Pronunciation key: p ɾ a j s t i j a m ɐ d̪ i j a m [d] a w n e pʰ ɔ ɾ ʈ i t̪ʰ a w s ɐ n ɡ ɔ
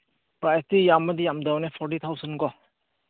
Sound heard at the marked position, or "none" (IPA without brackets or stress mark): d